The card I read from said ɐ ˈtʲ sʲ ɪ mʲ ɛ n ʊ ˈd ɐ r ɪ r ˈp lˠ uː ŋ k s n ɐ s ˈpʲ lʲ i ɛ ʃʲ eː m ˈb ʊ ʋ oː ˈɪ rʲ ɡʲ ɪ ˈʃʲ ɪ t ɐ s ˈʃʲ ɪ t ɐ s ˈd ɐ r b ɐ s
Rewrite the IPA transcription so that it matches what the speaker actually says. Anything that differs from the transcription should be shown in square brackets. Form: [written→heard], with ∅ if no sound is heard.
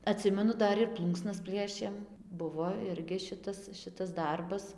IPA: ɐ ˈtʲ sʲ ɪ mʲ ɛ n ʊ ˈd ɐ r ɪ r ˈp lˠ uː ŋ k s n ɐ s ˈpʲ lʲ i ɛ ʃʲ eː m ˈb ʊ ʋ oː ˈɪ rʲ ɡʲ ɪ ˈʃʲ ɪ t ɐ s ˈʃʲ ɪ t ɐ s ˈd ɐ r b ɐ s